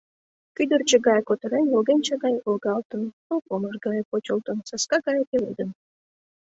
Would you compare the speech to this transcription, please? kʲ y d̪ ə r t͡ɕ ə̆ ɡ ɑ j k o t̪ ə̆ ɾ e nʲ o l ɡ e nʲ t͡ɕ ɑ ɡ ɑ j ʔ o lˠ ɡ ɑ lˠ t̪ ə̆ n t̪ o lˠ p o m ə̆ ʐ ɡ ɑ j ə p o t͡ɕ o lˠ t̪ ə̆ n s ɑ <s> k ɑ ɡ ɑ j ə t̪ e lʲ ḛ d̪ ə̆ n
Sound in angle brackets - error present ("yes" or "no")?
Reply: no